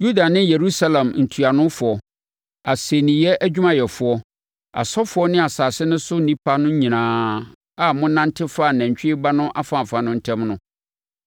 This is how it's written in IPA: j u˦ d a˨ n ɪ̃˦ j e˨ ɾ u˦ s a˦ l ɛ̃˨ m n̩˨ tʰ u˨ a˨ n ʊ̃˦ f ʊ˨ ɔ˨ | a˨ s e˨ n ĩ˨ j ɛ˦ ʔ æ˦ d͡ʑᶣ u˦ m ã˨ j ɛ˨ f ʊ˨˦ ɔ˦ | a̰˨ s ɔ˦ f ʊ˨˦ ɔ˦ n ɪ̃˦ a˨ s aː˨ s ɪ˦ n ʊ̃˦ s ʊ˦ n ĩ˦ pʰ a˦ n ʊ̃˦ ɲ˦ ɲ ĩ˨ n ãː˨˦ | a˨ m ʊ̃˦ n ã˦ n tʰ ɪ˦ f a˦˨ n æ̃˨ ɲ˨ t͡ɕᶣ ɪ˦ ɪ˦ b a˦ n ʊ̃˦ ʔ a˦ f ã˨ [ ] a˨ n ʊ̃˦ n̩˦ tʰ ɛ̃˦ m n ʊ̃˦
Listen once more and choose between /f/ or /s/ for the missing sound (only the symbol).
f